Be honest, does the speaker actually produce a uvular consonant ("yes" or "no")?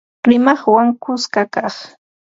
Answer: yes